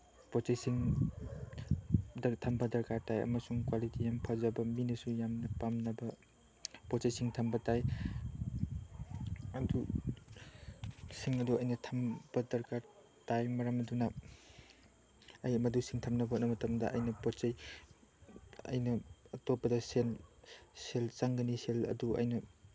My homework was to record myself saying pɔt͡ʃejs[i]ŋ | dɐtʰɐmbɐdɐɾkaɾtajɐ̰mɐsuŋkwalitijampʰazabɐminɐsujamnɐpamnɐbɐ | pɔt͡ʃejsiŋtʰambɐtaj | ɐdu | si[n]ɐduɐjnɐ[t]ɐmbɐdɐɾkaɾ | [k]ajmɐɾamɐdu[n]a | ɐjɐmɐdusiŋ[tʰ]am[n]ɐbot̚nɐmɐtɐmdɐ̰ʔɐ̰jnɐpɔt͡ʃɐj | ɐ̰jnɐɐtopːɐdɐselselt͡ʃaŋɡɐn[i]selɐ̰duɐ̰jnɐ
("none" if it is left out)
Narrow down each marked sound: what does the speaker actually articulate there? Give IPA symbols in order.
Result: i, ŋ, tʰ, t, n, tʰ, n, i

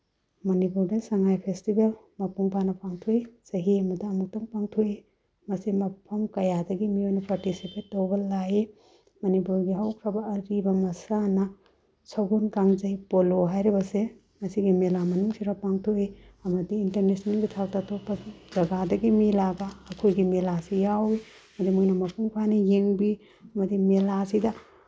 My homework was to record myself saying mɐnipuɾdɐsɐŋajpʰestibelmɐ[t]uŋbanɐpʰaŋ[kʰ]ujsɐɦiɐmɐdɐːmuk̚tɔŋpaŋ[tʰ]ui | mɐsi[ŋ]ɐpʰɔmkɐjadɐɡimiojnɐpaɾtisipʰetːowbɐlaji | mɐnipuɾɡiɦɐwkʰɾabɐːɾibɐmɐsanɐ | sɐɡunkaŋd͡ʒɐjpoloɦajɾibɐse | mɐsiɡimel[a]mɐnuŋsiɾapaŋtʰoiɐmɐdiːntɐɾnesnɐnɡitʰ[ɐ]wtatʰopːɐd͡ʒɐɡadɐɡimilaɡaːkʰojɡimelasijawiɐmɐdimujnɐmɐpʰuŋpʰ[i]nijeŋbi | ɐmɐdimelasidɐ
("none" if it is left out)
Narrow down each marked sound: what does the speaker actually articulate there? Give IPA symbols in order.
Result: p, tʰ, tʰ, m, a, a, a

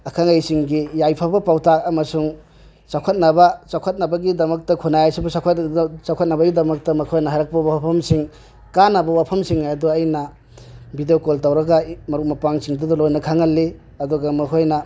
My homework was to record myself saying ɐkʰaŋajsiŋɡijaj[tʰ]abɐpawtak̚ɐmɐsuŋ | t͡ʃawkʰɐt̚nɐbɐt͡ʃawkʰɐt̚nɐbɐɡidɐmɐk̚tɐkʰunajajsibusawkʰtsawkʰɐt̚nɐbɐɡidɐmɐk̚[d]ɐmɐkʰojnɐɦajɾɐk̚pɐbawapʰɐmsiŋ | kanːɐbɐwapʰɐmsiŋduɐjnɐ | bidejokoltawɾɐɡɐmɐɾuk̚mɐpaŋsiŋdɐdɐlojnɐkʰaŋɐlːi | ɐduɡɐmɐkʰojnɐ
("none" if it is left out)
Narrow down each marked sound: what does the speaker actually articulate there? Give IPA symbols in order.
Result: pʰ, t

